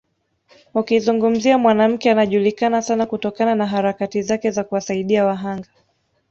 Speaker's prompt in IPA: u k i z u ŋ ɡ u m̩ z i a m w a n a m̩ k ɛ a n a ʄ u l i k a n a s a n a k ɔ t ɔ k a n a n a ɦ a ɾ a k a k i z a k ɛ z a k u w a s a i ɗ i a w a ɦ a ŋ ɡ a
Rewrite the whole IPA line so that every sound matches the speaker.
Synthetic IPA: u k i z u ŋ ɡ u m̩ z i a m w a n a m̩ k ɛ a n a ʄ u l i k a n a s a n a k u t ɔ k a n a n a ɦ a ɾ a k a t i z a k ɛ z a k u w a s a i ɗ i a w a ɦ a ŋ ɡ a